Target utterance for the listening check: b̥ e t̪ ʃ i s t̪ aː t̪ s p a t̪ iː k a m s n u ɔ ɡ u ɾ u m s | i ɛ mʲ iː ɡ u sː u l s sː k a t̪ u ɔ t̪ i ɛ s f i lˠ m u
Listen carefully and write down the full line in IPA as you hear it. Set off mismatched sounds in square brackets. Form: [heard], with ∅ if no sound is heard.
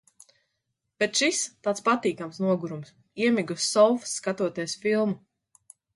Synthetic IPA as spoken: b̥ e t̪ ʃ i s t̪ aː t̪ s p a t̪ iː k a m s n u ɔ ɡ u ɾ u m s | i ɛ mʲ [i] ɡ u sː [ɔ] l [f] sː k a t̪ u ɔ t̪ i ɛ s f i lˠ m u